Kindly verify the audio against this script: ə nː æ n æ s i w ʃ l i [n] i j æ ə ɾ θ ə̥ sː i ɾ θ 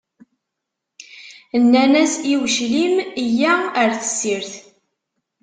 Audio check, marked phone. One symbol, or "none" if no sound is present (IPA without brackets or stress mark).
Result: m